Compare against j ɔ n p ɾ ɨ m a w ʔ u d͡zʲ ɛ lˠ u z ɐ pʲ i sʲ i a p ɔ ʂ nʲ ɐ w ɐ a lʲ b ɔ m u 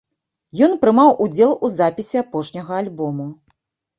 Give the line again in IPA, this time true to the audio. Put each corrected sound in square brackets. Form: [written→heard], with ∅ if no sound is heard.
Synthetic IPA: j ɔ n p ɾ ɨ m a w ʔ u d͡zʲ ɛ lˠ u z [ɐ→a] pʲ i sʲ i a p ɔ ʂ nʲ ɐ [w→ɣ] ɐ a lʲ b ɔ m u